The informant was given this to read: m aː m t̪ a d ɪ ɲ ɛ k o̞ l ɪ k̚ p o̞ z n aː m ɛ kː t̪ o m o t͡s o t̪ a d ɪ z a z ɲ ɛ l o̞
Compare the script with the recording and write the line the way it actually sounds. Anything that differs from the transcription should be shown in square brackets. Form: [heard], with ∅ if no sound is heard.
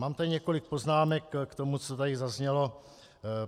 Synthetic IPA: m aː m t̪ a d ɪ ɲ ɛ k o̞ l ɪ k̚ p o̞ z n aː m ɛ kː t̪ o m [u] t͡s o t̪ a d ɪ z a z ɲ ɛ l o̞